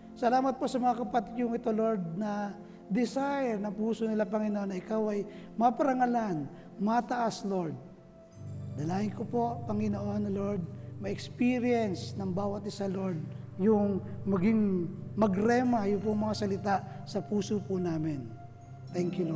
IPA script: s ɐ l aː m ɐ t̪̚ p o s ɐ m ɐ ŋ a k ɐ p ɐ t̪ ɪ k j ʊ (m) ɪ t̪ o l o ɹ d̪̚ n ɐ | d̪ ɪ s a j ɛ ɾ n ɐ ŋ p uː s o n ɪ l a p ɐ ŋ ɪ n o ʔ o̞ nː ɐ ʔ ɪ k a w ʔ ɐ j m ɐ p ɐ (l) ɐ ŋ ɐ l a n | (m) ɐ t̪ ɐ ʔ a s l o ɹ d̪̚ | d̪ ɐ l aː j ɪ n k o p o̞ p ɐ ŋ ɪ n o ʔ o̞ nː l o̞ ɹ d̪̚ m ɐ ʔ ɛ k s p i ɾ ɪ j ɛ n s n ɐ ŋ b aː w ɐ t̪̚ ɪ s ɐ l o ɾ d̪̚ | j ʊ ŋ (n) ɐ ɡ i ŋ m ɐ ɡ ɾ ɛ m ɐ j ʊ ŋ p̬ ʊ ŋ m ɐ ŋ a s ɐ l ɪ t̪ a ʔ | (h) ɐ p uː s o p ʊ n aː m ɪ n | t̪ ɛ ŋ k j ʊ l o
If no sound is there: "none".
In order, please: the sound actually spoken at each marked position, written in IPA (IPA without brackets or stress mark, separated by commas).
ŋ, ɾ, m, m, s